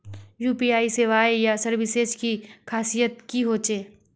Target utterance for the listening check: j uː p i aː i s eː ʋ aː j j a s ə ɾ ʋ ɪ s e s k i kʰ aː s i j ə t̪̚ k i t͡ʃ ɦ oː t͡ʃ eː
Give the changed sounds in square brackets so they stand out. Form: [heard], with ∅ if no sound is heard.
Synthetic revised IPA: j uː p i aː i s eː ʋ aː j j a s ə ɾ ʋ ɪ s e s k i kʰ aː s i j ə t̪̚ k i [∅] ɦ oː t͡ʃ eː